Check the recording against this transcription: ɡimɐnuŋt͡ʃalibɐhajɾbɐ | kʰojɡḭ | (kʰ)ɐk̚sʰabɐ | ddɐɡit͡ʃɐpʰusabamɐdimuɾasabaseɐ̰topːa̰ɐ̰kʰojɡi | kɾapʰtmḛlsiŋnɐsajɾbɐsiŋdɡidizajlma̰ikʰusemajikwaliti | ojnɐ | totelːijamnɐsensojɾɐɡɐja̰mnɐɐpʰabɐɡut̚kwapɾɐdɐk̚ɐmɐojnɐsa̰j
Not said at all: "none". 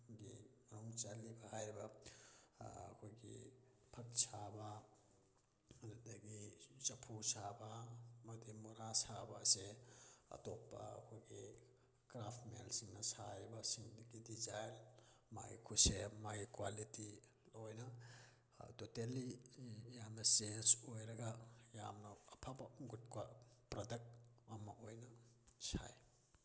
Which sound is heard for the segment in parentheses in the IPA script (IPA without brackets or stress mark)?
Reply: pʰ